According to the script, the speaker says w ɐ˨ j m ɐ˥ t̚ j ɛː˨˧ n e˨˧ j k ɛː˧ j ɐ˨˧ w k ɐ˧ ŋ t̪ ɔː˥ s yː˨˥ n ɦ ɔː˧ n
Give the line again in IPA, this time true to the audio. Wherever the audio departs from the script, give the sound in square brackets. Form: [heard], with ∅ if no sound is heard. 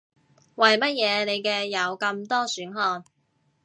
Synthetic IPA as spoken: w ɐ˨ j m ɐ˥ t̚ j ɛː˨˧ n e˨˧ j k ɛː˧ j ɐ˨˧ w k ɐ˧ [m] t̪ ɔː˥ s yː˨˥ n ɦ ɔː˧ n